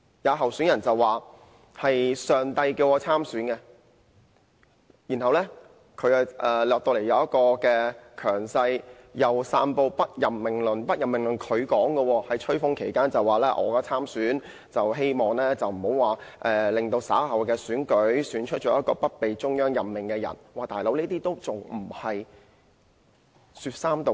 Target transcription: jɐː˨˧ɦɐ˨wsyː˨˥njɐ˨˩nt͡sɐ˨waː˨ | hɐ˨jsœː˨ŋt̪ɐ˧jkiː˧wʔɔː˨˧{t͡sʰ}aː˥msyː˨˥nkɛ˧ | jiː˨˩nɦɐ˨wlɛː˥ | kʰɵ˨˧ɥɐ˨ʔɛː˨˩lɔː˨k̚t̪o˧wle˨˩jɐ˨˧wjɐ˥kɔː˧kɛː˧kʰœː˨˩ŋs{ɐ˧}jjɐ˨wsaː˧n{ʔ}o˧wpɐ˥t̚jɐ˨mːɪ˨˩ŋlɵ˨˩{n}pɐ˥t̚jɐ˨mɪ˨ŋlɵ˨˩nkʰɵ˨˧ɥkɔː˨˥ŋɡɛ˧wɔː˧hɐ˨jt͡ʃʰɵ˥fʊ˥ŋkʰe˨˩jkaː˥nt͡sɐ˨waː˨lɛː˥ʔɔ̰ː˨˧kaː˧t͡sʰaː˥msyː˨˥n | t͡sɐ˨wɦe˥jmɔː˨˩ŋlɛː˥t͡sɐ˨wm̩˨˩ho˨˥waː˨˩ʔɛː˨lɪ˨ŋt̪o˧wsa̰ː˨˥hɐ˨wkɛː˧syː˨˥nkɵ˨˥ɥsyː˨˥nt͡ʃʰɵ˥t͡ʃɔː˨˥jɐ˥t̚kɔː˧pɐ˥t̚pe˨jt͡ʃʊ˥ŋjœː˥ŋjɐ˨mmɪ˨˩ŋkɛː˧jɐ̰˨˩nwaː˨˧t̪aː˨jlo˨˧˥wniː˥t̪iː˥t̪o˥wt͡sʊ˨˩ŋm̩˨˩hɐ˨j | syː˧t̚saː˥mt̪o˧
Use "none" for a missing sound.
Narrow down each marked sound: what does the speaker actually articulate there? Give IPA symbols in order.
t͡sʰ, ɐ˧, p, n

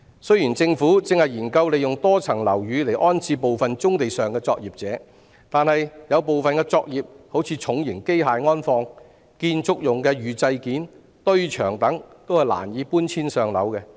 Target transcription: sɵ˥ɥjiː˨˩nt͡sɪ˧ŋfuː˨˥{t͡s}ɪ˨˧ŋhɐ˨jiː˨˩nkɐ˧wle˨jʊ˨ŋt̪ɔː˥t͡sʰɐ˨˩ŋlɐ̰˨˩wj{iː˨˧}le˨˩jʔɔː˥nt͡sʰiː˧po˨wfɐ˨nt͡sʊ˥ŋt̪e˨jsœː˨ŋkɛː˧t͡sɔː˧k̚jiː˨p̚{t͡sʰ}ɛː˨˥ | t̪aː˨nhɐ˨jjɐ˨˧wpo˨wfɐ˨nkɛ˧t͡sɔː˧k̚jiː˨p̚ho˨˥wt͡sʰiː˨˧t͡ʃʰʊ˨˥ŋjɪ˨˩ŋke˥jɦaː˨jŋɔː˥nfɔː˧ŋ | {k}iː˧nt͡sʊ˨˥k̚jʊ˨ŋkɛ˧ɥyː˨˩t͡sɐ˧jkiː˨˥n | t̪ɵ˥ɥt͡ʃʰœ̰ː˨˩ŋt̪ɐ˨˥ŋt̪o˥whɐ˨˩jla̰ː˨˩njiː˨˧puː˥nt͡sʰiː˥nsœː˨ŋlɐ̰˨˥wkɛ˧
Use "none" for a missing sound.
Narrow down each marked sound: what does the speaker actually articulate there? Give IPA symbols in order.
t͡s, yː˨˧, t͡s, k

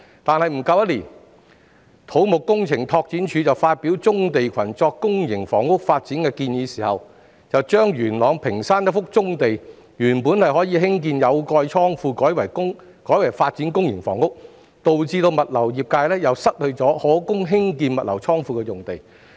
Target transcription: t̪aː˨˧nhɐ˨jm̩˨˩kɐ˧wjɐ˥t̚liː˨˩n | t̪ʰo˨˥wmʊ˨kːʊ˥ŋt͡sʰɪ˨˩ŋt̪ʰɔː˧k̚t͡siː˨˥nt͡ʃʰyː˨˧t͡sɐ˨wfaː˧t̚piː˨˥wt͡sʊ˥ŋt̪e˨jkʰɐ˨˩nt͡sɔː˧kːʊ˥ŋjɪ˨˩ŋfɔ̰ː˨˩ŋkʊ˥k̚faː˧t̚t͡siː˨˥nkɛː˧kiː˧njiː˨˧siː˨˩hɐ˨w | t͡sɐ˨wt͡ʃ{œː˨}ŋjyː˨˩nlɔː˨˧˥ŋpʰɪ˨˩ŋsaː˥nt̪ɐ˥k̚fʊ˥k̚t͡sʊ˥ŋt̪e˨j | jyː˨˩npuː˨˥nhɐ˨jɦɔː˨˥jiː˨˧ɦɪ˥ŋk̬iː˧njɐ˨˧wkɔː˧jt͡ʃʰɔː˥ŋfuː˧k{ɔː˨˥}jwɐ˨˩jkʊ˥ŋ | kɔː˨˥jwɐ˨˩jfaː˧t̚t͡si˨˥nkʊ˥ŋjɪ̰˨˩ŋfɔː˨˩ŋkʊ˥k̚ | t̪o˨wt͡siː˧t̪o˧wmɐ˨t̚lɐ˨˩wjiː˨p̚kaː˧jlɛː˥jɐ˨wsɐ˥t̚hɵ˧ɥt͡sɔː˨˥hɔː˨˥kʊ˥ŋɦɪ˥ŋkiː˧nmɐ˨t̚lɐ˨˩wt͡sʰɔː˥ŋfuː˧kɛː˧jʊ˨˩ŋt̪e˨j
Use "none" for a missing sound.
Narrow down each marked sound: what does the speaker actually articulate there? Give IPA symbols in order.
œː˥, ɔː˨˥

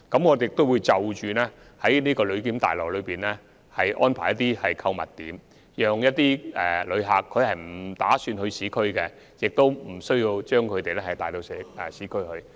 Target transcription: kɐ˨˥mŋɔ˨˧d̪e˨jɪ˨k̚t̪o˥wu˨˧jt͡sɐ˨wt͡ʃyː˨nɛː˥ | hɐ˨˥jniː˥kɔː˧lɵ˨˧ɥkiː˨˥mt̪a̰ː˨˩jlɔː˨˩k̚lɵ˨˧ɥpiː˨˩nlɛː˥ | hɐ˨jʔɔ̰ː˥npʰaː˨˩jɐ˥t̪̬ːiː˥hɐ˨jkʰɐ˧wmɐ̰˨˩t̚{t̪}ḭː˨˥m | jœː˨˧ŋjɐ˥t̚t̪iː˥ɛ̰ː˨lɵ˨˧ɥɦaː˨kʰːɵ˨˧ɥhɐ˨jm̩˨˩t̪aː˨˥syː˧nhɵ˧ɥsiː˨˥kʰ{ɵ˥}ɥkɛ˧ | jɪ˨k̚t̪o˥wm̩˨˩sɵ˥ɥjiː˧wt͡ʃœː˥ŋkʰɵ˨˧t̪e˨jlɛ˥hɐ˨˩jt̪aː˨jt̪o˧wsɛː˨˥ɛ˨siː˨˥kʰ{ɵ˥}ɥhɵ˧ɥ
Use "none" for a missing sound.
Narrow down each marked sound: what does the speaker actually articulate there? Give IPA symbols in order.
t̪, ɵ˥, ɵ˥

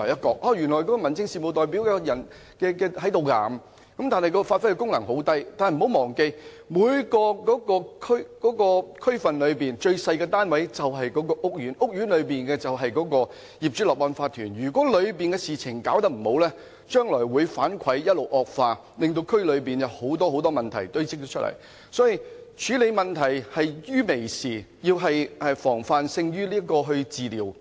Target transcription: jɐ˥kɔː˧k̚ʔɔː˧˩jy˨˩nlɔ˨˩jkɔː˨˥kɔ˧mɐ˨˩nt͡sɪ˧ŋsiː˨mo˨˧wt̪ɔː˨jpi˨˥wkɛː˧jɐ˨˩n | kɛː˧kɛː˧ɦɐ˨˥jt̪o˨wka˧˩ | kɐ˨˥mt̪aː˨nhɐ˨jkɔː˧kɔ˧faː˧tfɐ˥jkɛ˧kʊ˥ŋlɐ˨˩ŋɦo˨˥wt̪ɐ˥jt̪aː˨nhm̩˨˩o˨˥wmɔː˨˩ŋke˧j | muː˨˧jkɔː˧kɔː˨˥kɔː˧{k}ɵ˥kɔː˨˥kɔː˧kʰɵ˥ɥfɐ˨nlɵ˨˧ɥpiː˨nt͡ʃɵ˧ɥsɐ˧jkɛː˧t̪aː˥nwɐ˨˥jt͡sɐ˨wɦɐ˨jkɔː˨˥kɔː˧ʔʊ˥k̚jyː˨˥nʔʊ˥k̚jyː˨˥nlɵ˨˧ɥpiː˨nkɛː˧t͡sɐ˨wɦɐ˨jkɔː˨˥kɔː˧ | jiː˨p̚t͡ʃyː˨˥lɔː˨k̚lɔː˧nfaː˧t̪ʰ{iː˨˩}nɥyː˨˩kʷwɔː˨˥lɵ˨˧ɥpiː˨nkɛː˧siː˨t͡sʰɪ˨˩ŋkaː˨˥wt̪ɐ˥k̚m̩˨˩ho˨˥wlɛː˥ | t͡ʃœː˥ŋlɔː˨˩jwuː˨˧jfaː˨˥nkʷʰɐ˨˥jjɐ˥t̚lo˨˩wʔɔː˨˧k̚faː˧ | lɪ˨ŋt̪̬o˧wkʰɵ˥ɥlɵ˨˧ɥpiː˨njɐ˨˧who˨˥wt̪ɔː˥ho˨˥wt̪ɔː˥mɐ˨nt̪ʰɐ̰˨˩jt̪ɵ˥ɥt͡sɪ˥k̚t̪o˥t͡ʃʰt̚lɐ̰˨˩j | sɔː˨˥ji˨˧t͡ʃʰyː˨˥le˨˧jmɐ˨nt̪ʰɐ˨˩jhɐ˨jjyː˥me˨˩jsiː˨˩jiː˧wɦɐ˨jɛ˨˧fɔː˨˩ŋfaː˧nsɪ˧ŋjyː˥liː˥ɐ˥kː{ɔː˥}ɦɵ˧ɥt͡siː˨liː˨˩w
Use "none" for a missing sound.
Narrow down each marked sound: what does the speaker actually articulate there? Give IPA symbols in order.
kʰ, yː˨˩, ɔː˧

